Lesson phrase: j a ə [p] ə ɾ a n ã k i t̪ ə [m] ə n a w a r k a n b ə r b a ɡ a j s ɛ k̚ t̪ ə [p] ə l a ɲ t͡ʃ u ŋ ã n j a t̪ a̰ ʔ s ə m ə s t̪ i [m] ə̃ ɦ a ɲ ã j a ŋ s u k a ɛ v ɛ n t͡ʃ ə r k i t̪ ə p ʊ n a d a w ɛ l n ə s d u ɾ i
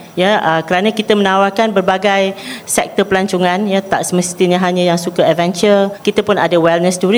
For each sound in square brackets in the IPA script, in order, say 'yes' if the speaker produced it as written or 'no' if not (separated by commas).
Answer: no, yes, yes, no